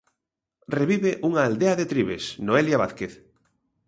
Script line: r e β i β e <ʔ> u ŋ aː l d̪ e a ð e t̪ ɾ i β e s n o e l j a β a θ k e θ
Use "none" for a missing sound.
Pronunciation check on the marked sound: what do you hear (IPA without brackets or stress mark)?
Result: ʔ